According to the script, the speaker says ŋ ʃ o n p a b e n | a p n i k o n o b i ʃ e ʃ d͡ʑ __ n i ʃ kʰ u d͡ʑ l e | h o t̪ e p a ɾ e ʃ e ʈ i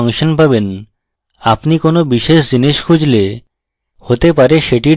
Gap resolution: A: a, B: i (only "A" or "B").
B